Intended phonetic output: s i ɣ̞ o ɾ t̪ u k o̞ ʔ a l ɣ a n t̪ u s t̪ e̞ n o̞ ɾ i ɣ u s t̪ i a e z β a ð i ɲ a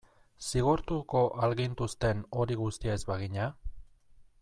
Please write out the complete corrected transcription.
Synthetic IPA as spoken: s i ɣ̞ o ɾ t̪ u k o̞ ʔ a l ɣ i n t̪ u s t̪ e̞ n o̞ ɾ i ɣ u s t̪ i a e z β a ɣ i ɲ a